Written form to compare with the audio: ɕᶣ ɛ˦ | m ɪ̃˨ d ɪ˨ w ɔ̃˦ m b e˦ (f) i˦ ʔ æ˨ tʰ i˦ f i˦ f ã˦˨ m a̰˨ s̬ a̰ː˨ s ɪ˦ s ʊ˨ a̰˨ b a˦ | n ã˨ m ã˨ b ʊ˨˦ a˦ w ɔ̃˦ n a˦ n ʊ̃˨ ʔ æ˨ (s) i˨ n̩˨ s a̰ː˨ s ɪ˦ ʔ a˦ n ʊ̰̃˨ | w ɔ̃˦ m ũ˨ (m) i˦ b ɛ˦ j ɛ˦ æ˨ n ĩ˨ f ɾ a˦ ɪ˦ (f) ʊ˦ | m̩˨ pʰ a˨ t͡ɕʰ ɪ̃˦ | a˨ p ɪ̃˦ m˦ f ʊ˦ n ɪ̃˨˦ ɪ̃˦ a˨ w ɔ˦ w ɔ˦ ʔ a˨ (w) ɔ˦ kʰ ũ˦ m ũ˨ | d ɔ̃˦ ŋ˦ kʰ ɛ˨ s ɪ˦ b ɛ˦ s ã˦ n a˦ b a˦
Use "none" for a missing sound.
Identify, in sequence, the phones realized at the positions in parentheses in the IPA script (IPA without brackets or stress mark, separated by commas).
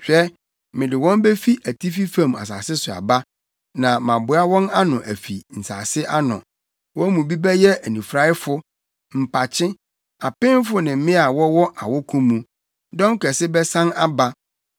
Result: f, f, b, f, w